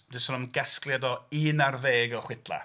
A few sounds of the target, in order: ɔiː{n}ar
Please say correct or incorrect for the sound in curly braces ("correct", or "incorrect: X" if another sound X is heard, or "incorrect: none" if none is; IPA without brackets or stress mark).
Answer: correct